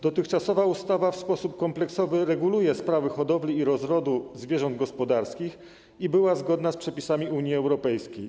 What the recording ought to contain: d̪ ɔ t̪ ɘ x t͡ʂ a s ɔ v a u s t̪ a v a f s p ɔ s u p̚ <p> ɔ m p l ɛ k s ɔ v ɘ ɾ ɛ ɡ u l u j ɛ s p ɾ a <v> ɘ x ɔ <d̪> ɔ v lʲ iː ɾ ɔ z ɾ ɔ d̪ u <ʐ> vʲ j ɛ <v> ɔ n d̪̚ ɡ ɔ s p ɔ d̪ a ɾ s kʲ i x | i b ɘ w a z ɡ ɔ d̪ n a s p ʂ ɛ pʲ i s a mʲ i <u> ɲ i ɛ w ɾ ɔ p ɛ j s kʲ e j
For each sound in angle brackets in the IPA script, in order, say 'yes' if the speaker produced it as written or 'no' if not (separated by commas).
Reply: no, yes, yes, no, no, yes